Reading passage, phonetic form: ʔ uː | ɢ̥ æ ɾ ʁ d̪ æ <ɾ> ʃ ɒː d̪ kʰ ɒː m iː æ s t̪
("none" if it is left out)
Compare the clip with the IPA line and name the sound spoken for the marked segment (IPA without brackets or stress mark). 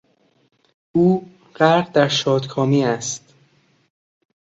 ɾ